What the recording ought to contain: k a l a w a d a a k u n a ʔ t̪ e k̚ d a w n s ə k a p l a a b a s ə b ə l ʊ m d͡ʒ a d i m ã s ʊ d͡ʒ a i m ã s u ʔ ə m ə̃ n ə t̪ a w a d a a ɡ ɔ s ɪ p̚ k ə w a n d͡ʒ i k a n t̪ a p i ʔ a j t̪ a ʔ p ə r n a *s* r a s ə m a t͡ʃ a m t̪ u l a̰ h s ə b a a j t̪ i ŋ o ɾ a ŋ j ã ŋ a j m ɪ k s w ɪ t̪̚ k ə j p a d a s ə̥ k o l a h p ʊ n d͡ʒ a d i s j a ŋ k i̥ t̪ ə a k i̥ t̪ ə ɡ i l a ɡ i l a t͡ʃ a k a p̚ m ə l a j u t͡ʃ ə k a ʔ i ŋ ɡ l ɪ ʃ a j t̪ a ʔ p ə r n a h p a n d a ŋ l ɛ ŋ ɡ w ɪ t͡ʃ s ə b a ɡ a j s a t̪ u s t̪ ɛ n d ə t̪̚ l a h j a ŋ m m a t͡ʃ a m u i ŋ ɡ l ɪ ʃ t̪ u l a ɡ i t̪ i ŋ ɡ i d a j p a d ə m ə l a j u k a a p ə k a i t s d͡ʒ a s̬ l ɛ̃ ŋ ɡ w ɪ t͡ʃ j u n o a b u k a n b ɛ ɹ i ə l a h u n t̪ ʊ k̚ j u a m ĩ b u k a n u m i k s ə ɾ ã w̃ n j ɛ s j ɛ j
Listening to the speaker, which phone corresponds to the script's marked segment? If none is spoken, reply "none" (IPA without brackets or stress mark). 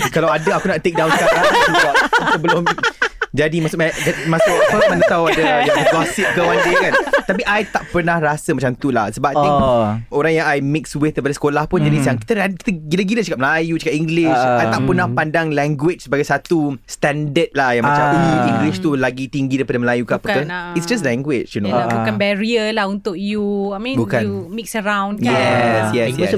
h